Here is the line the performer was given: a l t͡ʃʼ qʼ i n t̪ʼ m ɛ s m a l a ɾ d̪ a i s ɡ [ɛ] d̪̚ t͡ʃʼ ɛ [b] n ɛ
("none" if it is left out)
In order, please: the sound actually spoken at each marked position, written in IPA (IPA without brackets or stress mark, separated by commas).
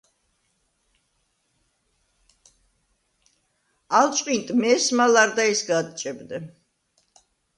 a, b